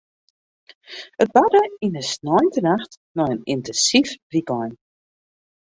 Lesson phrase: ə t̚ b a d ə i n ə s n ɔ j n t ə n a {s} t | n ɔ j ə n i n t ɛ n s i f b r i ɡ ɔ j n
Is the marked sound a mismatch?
yes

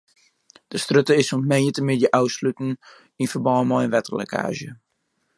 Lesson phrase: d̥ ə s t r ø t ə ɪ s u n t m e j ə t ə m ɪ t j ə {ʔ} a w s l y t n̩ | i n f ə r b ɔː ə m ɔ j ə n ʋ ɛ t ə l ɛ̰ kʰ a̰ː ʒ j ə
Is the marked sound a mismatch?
no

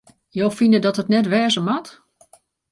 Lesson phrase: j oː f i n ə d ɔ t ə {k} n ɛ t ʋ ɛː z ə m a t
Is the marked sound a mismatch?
yes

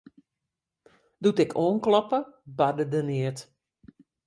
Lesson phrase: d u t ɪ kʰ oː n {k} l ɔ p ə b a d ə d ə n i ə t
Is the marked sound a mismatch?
no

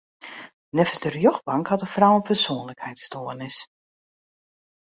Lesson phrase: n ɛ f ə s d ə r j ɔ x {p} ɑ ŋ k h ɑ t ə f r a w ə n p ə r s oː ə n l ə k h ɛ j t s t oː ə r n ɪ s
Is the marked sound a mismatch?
yes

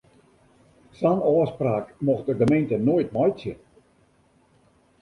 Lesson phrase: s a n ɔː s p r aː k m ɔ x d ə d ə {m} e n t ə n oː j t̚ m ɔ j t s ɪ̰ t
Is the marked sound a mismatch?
no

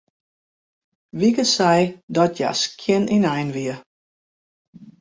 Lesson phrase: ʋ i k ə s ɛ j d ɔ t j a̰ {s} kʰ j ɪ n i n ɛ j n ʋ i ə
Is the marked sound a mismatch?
no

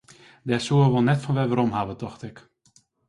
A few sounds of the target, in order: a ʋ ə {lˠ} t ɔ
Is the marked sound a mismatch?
yes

